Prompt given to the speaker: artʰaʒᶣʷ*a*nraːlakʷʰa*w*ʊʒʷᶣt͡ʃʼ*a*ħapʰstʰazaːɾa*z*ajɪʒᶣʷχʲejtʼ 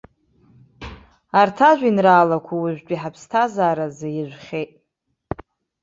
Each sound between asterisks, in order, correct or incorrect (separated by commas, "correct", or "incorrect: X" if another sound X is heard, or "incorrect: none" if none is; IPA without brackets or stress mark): incorrect: i, correct, incorrect: i, correct